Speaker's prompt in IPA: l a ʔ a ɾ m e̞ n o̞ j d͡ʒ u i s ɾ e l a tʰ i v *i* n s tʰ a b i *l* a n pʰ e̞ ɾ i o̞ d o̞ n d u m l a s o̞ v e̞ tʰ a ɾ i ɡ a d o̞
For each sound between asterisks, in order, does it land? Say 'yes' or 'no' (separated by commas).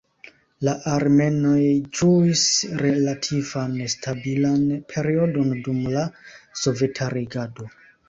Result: no, yes